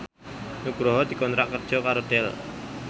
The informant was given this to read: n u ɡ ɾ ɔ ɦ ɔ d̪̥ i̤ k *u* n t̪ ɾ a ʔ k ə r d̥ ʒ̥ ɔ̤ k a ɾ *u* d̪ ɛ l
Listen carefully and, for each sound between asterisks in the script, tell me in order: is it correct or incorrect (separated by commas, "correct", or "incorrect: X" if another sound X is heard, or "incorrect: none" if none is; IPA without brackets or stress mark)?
incorrect: ɔ, incorrect: o